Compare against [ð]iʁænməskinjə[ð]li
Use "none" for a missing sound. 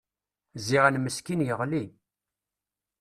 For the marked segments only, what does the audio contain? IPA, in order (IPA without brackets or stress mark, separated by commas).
z, ʁ